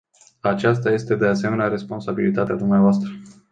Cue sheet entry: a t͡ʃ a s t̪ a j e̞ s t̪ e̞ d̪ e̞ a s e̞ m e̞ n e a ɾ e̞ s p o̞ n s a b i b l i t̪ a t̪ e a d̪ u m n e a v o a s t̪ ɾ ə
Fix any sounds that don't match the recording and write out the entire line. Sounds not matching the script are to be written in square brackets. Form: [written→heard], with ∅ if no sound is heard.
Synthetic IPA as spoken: a t͡ʃ a s t̪ a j e̞ s t̪ e̞ d̪ e̞ a s e̞ m e̞ n e a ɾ e̞ s p o̞ n s a b i [b→∅] l i t̪ a t̪ e a d̪ u m n e a v o a s t̪ ɾ ə